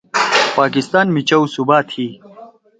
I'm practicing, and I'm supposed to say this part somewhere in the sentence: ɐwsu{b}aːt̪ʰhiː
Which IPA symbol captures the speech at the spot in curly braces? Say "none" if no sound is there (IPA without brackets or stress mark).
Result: b